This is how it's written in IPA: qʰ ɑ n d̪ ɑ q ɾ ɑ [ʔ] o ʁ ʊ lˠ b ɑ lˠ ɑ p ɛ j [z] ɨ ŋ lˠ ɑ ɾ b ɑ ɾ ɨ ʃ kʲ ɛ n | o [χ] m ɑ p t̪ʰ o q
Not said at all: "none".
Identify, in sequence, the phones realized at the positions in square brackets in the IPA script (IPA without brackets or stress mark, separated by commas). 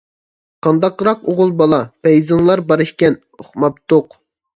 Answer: q, z, χ